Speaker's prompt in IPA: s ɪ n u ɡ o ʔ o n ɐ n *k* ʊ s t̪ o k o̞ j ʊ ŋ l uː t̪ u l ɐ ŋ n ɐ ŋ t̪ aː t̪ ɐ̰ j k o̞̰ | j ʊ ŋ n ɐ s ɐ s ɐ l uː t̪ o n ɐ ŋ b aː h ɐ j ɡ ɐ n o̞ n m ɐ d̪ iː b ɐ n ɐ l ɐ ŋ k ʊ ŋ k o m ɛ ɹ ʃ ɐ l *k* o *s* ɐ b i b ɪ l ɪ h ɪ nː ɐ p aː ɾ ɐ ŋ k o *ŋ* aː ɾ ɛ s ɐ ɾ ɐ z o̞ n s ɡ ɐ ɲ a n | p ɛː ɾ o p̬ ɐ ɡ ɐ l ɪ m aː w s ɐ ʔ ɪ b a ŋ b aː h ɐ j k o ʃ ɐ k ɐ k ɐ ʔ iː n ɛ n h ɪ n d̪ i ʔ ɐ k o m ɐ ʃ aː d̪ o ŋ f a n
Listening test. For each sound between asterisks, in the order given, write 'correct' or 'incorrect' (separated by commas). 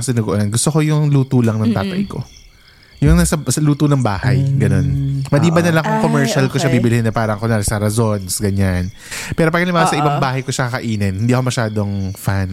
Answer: incorrect, correct, incorrect, incorrect